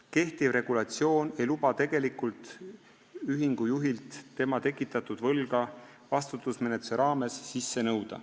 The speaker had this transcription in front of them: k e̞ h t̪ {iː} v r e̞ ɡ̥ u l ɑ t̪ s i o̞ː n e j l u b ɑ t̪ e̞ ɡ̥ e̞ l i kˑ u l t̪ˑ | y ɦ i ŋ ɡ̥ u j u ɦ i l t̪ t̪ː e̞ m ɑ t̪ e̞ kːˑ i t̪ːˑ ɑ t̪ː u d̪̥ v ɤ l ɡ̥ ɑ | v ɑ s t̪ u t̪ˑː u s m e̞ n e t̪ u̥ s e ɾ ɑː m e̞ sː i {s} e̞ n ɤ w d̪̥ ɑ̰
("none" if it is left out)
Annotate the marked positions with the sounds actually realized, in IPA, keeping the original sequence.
i, sː

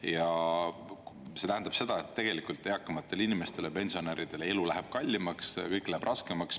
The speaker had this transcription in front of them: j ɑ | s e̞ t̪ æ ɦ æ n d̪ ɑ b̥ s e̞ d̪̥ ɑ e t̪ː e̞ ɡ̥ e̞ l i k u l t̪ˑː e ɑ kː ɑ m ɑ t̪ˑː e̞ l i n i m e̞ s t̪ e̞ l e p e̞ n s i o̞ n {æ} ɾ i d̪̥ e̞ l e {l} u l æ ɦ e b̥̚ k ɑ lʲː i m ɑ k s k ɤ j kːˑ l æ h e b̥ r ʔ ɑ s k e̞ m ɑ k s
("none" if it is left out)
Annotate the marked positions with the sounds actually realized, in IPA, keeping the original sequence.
e, l

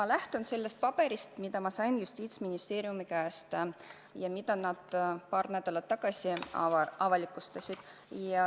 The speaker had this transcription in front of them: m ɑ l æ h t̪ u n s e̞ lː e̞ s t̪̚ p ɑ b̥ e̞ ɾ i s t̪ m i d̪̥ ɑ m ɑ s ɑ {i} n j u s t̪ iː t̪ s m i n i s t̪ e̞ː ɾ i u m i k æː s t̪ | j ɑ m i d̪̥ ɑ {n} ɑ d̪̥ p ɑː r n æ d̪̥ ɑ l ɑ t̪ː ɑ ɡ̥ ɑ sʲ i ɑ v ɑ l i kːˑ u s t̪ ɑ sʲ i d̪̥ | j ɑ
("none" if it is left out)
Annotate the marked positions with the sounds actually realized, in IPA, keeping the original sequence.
j, n

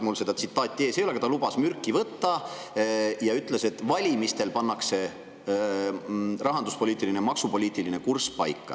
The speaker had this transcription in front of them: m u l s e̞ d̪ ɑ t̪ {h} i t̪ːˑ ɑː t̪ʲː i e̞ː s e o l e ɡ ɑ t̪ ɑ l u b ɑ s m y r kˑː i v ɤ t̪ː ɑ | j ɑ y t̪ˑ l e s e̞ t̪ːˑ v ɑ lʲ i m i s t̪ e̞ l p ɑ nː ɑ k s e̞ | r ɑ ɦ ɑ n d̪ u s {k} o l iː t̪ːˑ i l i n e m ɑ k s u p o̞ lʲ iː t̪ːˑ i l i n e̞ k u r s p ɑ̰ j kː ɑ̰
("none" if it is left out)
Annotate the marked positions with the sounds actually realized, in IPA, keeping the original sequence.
s, p

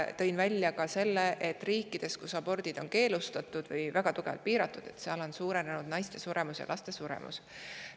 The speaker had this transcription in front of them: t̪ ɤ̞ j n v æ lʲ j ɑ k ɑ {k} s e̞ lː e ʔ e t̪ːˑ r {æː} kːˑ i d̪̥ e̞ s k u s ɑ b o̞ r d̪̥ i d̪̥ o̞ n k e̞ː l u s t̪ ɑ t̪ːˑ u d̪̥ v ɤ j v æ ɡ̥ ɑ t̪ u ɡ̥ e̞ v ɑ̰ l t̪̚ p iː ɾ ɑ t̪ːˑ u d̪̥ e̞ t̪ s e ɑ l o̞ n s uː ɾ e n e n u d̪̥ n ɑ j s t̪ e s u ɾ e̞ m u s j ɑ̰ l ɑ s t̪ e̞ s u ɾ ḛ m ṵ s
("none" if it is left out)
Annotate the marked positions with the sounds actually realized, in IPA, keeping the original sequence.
none, iː

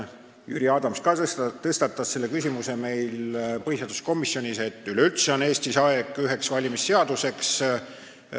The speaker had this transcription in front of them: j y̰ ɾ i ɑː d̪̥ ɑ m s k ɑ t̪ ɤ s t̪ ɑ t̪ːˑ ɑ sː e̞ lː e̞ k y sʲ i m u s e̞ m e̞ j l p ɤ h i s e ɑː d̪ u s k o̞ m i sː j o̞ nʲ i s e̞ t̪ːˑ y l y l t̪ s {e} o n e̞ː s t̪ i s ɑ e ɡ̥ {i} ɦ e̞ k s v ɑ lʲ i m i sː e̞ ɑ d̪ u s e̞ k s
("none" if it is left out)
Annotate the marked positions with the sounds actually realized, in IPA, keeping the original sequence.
e, y

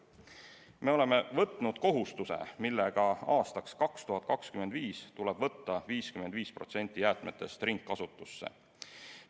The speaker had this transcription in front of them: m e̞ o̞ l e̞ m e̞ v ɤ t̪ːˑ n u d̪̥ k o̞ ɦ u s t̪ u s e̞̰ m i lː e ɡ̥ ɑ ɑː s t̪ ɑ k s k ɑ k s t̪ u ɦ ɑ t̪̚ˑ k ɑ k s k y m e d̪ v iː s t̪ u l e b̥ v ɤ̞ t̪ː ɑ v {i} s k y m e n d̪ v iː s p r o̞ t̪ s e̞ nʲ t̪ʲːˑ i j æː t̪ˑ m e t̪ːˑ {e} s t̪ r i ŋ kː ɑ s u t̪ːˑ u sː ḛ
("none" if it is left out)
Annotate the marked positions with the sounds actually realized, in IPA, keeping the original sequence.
iː, e

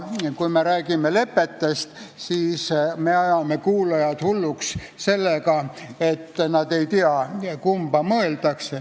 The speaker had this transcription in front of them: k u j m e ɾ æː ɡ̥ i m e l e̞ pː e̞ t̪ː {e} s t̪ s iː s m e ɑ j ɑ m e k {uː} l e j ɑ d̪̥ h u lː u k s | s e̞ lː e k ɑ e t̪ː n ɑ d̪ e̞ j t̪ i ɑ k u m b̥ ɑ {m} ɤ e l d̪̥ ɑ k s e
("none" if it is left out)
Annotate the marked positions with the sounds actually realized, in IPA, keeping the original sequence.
e, uː, m

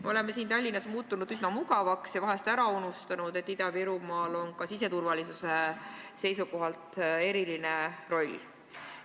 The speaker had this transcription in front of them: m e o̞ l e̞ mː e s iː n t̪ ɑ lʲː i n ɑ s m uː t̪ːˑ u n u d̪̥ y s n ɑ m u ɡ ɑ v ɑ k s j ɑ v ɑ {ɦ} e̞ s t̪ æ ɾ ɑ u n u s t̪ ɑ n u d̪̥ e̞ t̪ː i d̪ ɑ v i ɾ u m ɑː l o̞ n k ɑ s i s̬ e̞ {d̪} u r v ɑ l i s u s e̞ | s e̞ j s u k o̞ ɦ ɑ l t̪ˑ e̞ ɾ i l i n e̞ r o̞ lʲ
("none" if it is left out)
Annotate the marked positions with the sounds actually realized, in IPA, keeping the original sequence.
ɦ, t̪

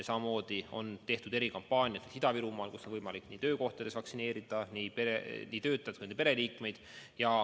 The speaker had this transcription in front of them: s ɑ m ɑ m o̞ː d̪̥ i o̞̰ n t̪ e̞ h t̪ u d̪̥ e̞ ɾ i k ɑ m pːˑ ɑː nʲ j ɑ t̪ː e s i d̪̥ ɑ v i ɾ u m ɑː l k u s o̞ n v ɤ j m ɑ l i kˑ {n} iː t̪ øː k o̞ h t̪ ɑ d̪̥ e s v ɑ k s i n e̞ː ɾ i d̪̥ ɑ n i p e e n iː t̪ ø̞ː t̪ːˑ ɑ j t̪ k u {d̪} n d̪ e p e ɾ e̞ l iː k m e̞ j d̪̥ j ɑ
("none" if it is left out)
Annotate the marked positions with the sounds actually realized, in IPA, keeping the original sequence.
n, none

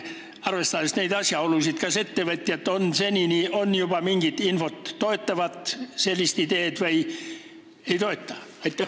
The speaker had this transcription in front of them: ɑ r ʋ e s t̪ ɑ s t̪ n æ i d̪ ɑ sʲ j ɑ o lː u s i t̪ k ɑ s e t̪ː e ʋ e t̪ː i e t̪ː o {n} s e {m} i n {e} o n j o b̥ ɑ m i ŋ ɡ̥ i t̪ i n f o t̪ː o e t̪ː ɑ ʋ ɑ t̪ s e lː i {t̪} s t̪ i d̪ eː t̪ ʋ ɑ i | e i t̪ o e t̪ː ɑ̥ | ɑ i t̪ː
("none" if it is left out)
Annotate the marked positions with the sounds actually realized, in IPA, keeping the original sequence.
n, n, i, none

